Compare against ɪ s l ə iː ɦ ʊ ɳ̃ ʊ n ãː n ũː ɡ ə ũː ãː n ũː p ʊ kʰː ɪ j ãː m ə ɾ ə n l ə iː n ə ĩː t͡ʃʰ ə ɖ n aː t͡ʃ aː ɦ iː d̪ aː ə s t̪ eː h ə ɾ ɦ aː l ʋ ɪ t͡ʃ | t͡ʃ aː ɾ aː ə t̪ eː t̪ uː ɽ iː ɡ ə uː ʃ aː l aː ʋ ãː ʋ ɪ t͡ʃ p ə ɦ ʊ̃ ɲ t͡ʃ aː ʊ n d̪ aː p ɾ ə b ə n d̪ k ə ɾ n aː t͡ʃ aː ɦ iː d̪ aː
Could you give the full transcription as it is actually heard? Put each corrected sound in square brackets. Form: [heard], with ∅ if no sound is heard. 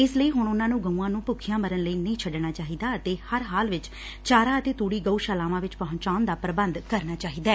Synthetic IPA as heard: ɪ s l ə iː ɦ ʊ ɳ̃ ʊ n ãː n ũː ɡ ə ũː ãː n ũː p ʊ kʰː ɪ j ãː m ə ɾ ə n l ə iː n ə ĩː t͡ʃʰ ə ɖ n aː t͡ʃ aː ɦ iː d̪ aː ə [∅] t̪ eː h ə ɾ ɦ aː l ʋ ɪ t͡ʃ | t͡ʃ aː ɾ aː ə t̪ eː t̪ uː ɽ iː ɡ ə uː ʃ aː l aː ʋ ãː ʋ ɪ t͡ʃ p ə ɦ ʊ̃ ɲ t͡ʃ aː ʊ n d̪ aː p ɾ ə b ə n d̪ k ə ɾ n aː t͡ʃ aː ɦ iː d̪ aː